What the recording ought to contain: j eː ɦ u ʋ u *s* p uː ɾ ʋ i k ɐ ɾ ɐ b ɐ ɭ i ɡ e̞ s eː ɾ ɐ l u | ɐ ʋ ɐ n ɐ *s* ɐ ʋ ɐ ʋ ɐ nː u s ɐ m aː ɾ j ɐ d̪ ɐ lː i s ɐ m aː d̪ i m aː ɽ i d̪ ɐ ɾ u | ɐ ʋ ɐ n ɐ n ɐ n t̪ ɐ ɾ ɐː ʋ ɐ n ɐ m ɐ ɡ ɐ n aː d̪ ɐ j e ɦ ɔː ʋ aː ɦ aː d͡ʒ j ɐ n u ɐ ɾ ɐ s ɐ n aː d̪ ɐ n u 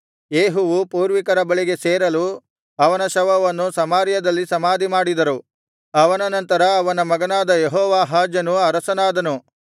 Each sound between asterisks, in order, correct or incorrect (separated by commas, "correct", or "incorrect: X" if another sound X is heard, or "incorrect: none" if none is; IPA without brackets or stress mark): incorrect: none, incorrect: ʃ